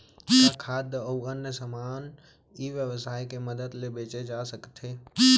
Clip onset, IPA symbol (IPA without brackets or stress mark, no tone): kʰ